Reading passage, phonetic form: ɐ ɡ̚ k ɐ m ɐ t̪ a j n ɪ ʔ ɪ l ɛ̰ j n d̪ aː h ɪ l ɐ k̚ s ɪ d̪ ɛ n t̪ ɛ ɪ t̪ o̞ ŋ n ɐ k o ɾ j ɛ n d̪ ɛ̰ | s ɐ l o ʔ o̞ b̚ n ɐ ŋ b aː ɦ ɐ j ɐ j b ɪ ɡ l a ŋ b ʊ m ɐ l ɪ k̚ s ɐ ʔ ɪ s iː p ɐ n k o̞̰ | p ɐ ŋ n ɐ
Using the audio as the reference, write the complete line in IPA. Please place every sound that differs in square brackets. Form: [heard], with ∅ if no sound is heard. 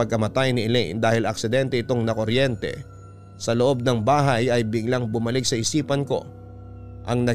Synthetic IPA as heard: ɐ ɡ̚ k ɐ m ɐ t̪ a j n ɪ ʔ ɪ l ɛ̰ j n d̪ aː h ɪ l ɐ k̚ s ɪ d̪ ɛ n t̪ ɛ ɪ t̪ o̞ ŋ n ɐ k o ɾ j ɛ n [t̪] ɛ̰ | s ɐ l o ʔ o̞ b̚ n ɐ ŋ b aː ɦ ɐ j ɐ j b ɪ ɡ l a ŋ b ʊ m ɐ l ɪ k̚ s ɐ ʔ ɪ s iː p ɐ n k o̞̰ | [ʔ] ɐ ŋ n ɐ